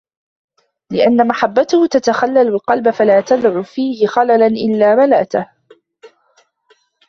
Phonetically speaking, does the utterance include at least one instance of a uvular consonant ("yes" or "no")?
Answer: yes